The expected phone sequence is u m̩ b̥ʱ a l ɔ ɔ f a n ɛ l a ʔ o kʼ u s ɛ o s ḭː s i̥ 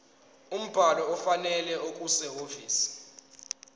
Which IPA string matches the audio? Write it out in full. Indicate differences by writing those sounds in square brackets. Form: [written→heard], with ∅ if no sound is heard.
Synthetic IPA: u m̩ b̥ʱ a l ɔ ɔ f a n ɛ l [a→ɛ] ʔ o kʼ u s ɛ o [s→f] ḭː s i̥